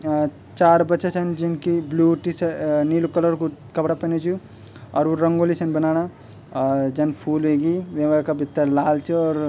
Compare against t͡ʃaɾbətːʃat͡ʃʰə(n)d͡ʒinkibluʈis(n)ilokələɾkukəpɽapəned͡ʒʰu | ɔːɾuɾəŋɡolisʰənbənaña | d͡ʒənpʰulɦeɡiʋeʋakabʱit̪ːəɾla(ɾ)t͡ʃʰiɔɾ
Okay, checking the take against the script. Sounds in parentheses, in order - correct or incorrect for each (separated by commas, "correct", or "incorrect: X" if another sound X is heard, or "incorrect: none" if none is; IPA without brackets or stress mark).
correct, correct, incorrect: l